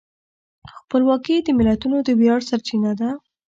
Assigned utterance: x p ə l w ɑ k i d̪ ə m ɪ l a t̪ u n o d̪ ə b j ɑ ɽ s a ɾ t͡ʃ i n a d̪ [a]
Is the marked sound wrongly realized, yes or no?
no